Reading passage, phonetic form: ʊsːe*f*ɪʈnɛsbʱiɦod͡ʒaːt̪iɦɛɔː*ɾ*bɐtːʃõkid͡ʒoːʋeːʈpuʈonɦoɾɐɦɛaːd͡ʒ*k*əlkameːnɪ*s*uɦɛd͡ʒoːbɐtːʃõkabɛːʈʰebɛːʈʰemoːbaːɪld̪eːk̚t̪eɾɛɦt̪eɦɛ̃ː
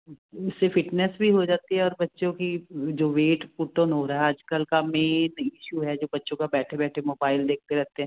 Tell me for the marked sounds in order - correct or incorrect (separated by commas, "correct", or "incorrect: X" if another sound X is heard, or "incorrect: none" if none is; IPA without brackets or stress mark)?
correct, correct, correct, incorrect: ʃ